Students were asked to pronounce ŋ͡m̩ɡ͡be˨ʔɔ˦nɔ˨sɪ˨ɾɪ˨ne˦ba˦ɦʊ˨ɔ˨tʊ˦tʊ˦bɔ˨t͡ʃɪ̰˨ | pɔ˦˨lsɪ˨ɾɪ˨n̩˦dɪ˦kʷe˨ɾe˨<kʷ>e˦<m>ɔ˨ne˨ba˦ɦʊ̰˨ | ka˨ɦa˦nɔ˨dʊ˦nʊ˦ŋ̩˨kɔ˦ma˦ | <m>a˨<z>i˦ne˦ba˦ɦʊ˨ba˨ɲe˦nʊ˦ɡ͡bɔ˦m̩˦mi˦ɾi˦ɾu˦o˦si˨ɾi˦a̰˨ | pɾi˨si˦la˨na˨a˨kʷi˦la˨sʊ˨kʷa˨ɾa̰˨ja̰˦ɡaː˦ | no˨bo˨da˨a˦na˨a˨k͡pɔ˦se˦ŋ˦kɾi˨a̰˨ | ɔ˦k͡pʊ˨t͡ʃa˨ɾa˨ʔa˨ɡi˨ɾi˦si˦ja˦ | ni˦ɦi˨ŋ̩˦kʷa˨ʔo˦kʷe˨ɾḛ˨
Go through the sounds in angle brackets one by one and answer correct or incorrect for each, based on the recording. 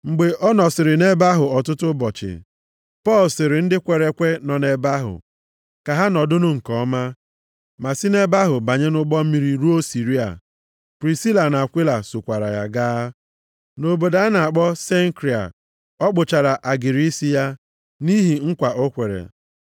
correct, incorrect: n, correct, incorrect: s

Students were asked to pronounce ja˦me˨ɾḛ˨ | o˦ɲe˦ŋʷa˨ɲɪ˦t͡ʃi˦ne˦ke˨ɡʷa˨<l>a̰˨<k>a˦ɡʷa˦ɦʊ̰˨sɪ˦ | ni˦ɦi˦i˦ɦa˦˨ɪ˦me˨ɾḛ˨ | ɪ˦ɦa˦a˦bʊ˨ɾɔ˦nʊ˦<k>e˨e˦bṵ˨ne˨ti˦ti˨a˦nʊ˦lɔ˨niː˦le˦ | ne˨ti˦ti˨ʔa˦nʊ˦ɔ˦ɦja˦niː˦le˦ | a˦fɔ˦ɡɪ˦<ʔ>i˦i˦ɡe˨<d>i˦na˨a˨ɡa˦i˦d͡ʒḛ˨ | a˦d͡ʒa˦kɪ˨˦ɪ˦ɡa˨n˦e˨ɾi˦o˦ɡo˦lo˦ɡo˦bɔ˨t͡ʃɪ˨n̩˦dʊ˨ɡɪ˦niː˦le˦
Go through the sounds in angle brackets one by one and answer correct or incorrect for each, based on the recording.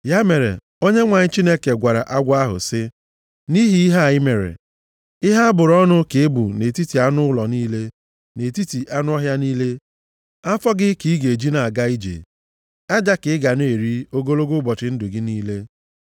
incorrect: ɾ, incorrect: ʔ, correct, incorrect: k, incorrect: d͡ʒ

